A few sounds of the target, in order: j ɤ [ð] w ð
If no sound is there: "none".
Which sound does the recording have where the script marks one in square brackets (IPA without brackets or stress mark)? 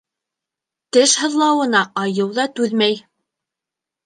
none